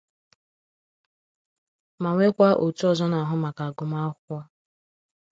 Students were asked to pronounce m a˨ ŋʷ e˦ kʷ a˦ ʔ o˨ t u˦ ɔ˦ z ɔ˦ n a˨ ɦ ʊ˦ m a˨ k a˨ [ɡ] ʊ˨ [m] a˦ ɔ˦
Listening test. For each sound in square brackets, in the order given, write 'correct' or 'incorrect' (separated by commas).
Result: correct, correct